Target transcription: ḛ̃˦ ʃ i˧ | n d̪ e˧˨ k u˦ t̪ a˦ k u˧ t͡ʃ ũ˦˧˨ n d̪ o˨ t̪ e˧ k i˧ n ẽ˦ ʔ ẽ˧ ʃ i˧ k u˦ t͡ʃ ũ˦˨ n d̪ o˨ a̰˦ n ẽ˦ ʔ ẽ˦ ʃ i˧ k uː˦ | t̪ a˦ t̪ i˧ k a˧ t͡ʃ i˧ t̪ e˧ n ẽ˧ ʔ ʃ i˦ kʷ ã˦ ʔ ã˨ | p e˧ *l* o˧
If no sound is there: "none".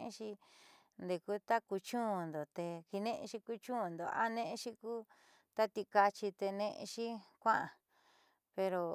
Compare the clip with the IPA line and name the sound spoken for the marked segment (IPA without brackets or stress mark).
ɾ